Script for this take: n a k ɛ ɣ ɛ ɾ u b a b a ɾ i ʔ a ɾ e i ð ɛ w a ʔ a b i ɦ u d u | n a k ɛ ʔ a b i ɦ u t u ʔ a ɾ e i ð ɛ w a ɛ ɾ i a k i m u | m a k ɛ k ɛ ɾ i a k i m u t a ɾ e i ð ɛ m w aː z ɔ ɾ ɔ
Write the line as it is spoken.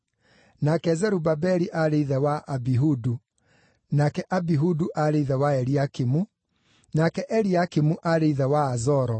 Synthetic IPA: n a k ɛ z ɛ ɾ u b a b ɛ ɾ i ʔ a ɾ e i ð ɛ w a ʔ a b i ɦ u d u | n a k ɛ ʔ a b i ɦ u d u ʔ a ɾ e i ð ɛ w a ɛ ɾ i a k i m u | n a k ɛ ʔ ɛ ɾ i a k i m u ʔ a ɾ e i ð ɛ w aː z ɔ ɾ ɔ